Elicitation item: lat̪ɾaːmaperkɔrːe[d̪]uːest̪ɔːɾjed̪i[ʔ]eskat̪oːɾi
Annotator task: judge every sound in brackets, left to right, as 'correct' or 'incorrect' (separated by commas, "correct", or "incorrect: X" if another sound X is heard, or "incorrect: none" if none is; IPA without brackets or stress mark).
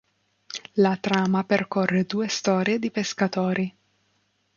correct, incorrect: p